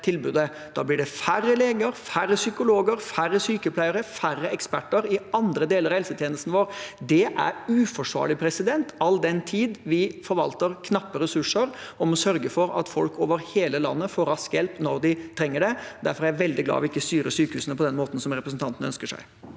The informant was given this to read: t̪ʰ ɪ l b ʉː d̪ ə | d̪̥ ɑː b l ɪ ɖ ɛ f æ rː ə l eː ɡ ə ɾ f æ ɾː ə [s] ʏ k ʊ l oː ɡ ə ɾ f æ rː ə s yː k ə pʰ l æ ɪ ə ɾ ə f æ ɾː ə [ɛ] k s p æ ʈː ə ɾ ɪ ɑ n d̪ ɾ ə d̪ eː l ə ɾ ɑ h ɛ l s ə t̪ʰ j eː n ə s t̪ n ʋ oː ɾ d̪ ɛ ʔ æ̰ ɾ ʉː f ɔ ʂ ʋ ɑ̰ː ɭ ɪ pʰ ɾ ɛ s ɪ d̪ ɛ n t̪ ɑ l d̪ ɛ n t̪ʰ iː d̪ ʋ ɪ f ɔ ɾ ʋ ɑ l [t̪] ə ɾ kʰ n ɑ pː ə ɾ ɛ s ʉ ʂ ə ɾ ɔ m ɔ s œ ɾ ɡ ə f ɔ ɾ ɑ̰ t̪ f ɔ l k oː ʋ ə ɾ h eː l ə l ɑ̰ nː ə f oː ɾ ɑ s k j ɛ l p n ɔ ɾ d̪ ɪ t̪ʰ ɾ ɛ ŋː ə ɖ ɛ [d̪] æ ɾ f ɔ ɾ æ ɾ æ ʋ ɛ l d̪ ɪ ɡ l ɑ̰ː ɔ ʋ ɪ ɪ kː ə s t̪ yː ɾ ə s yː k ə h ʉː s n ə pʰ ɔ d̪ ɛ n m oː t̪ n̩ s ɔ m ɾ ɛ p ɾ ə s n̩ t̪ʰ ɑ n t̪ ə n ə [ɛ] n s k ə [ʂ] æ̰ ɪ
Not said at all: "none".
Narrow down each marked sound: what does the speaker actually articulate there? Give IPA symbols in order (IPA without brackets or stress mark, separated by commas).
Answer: s, ɛ, t̪, d̪, œ, ʂ